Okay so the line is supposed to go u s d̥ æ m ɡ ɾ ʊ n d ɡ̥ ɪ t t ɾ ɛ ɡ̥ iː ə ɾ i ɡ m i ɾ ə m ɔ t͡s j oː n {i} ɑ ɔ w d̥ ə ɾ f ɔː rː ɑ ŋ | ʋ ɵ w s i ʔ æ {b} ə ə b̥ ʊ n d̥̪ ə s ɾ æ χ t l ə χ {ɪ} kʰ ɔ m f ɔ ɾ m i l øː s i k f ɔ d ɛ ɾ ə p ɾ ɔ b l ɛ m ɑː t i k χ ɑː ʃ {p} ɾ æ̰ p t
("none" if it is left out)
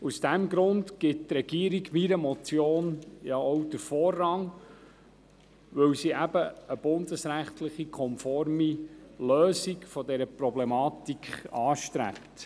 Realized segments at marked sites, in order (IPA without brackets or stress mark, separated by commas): j, b, i, t